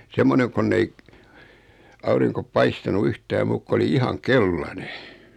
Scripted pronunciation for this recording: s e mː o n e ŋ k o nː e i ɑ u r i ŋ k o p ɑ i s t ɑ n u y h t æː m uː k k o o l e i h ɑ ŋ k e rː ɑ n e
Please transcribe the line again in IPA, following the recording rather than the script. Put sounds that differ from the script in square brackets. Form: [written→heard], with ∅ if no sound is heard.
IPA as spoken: s e mː o n e ŋ k o nː e i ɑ u r i ŋ k o p ɑ i s t ɑ n u y h t æː m uː k k o o l [e→i] i h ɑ ŋ k e [rː→lː] ɑ n e